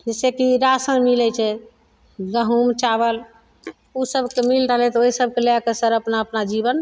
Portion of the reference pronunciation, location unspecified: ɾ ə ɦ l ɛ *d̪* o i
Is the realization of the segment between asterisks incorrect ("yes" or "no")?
yes